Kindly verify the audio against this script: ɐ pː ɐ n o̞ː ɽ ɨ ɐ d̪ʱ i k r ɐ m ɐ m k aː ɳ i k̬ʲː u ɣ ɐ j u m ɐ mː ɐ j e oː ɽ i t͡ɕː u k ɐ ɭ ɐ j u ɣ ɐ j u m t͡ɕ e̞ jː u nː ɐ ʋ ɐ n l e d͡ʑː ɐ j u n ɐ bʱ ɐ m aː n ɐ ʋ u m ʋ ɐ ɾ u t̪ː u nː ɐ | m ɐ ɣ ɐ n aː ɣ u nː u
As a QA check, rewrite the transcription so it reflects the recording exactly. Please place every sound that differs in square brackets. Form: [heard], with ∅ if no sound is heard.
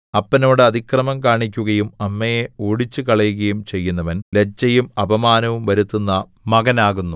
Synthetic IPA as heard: ɐ pː ɐ n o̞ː ɽ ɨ ɐ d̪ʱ i k r ɐ m ɐ m k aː ɳ i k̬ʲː u ɣ ɐ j u m ɐ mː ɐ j e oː ɽ i t͡ɕː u k ɐ ɭ ɐ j u ɣ ɐ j u m t͡ɕ e̞ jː u nː ɐ ʋ ɐ n l e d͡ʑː ɐ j u [m] ɐ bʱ ɐ m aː n ɐ ʋ u m ʋ ɐ ɾ u t̪ː u nː ɐ | m ɐ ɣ ɐ n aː ɣ u nː u